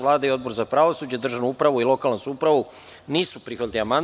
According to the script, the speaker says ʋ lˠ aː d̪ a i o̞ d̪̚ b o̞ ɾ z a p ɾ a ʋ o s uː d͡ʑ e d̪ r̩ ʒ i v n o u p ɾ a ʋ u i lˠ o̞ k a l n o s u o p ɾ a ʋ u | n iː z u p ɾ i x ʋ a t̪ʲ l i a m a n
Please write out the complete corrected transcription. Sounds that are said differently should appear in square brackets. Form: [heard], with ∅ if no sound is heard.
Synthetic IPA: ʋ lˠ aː d̪ a i o̞ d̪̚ b o̞ ɾ z a p ɾ a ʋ o s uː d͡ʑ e d̪ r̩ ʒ [a] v n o u p ɾ a ʋ u i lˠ o̞ k a l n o s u [u] p ɾ a ʋ u | n iː [s] u p ɾ i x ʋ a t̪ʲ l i a m a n